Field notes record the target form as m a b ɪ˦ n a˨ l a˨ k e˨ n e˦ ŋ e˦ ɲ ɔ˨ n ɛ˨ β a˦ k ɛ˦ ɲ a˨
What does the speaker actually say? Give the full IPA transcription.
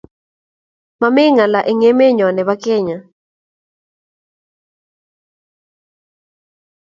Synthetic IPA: m a m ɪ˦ ŋ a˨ l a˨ ʔ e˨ ŋ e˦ m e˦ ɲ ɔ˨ n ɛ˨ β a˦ k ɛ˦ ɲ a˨